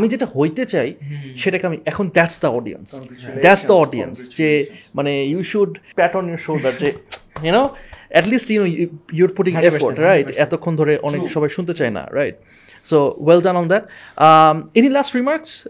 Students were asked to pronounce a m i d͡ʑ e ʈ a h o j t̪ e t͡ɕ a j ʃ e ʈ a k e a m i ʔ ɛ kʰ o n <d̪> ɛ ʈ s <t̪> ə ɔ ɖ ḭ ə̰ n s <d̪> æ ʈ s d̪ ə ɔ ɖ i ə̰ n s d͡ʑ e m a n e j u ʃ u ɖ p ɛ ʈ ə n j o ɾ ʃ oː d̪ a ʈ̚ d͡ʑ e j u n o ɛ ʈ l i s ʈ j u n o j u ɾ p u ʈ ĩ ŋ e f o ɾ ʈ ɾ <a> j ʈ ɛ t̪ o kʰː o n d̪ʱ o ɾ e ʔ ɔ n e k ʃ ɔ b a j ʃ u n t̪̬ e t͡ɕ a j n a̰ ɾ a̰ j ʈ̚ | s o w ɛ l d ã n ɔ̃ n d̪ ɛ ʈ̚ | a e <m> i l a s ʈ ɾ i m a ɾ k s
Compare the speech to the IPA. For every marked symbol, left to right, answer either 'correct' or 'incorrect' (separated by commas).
correct, incorrect, correct, correct, incorrect